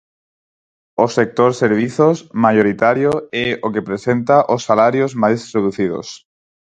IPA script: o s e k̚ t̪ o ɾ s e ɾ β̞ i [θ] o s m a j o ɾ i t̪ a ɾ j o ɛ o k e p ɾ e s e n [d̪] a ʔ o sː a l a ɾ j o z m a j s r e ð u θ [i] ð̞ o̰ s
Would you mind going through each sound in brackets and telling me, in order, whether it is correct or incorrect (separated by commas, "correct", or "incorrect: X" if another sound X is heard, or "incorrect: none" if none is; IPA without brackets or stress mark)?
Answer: correct, incorrect: t̪, correct